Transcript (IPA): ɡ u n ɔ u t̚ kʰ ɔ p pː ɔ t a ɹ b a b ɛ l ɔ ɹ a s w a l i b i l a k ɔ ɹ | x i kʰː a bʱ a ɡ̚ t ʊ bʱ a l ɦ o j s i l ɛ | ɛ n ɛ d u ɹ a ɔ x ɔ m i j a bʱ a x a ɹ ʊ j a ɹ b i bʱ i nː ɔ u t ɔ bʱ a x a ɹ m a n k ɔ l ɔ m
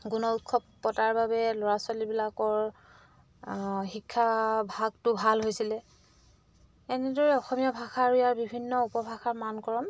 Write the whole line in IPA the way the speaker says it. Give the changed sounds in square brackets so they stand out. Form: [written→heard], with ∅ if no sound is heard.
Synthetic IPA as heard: ɡ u n ɔ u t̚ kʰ ɔ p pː ɔ t a ɹ b a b ɛ l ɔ ɹ a s w a l i b i l a k ɔ ɹ | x i kʰː a bʱ a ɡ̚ t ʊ bʱ a l ɦ o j s i l ɛ | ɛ n ɛ d [u→ɔ] ɹ [a→ɛ] ɔ x ɔ m i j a bʱ a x a ɹ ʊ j a ɹ b i bʱ i nː ɔ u [t→p] ɔ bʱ a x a ɹ m a n k ɔ [l→ɹ] ɔ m